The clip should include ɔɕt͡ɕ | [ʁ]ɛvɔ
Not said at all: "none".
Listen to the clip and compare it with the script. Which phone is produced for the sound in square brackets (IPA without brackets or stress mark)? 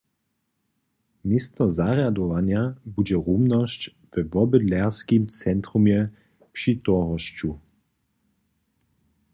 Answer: v